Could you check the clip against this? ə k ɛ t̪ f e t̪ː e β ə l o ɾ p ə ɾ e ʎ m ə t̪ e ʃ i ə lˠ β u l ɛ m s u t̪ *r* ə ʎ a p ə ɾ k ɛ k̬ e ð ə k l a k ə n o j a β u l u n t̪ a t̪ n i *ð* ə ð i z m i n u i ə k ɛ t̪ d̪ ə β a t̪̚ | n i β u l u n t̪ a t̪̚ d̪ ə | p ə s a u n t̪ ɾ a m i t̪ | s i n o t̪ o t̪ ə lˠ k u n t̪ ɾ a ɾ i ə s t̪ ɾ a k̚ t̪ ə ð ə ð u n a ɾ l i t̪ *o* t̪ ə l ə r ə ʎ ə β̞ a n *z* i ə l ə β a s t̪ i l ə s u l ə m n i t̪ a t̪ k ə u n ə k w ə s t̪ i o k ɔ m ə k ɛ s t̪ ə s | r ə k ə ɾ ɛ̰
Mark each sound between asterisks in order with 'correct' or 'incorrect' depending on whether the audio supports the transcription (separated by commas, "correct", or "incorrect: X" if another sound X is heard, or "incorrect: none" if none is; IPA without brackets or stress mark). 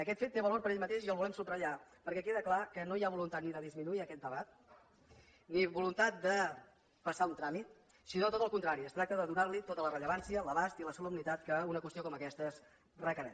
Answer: correct, correct, correct, incorrect: s